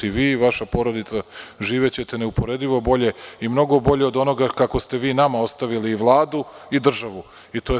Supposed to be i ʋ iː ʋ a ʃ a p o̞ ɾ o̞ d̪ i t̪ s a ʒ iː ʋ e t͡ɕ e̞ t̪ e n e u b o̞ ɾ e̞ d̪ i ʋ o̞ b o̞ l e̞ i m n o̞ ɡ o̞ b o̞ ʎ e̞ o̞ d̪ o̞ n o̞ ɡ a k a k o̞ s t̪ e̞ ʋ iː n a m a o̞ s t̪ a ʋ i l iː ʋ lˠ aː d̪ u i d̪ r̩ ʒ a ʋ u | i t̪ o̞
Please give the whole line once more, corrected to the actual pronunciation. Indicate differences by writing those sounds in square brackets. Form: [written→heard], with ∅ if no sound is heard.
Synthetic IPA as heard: i ʋ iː ʋ a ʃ a p o̞ ɾ o̞ d̪ i t̪ s a ʒ iː ʋ e t͡ɕ e̞ t̪ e n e u [b→p] o̞ ɾ e̞ d̪ i ʋ o̞ b o̞ [l→ʎ] e̞ i m n o̞ ɡ o̞ b o̞ ʎ e̞ o̞ d̪ o̞ n o̞ ɡ a k a k o̞ s t̪ e̞ ʋ iː n a m a o̞ s t̪ a ʋ i l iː ʋ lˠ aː d̪ u i d̪ r̩ ʒ a ʋ u | i t̪ o̞